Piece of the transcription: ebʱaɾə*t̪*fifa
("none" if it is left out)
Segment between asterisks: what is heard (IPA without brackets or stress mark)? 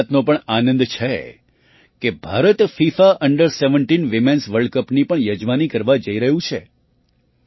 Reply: t̪